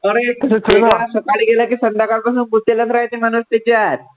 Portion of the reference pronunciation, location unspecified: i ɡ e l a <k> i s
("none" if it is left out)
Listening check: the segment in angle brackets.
k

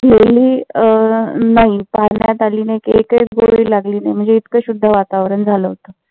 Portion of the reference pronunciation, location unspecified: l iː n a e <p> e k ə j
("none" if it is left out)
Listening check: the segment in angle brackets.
k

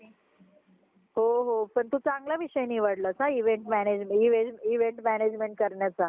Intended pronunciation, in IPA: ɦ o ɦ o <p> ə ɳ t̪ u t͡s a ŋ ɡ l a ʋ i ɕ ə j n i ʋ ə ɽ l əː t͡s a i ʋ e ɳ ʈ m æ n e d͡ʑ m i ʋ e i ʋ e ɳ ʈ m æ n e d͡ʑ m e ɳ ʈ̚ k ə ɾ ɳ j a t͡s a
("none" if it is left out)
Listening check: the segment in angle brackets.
p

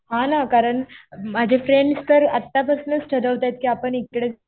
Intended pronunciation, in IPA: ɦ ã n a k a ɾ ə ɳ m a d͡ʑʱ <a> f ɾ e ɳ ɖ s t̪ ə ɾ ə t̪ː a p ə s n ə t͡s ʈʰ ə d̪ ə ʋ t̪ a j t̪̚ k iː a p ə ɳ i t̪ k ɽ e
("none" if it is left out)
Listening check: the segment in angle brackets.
e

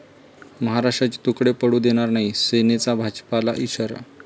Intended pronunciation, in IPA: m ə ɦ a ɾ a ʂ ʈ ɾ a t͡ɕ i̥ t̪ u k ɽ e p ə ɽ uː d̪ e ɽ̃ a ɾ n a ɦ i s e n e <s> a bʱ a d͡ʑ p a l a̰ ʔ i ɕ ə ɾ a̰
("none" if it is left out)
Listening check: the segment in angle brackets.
t͡s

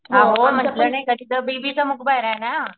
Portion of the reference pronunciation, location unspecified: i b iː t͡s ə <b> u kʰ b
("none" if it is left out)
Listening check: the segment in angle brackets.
m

